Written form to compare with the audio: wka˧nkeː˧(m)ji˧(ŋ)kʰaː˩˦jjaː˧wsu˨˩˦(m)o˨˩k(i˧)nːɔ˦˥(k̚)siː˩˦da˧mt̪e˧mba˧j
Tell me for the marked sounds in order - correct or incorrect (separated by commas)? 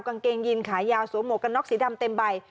incorrect, incorrect, correct, incorrect, correct